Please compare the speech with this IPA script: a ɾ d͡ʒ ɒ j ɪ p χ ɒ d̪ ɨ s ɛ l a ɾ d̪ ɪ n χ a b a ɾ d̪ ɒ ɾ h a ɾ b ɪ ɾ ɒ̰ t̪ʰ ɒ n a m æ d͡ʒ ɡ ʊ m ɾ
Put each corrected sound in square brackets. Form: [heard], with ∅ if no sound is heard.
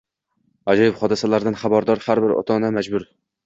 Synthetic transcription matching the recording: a [∅] d͡ʒ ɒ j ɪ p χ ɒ d̪ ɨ s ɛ l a ɾ d̪ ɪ n χ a b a ɾ d̪ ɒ ɾ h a ɾ b ɪ ɾ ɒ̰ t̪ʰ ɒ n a m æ d͡ʒ [b] ʊ [∅] ɾ